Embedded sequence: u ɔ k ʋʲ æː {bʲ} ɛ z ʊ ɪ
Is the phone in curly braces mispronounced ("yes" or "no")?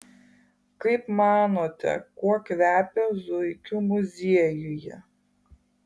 yes